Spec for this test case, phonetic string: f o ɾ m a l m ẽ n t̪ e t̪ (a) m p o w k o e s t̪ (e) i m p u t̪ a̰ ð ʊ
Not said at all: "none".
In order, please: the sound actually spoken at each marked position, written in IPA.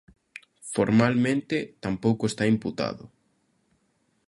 a, a

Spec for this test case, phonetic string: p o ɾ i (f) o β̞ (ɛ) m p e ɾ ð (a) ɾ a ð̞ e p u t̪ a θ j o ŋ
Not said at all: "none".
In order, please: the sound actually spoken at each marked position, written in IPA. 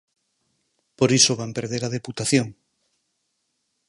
s, a, e

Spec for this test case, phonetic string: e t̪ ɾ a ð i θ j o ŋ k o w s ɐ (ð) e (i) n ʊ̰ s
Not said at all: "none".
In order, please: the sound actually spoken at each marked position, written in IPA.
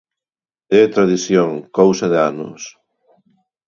ð, a

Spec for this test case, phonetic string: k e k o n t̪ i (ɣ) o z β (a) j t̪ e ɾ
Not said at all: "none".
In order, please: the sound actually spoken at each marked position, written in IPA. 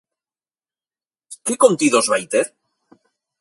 ð, a

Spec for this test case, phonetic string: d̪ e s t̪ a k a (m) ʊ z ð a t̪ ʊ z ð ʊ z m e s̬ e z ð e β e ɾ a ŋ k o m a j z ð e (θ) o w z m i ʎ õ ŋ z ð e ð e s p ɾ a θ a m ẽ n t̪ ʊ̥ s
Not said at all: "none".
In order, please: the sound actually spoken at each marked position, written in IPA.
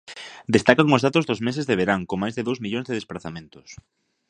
ŋ, ð

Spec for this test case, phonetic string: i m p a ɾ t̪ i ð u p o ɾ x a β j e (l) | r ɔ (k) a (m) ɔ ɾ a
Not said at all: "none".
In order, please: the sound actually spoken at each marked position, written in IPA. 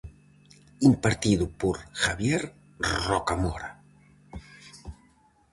ɾ, k, m

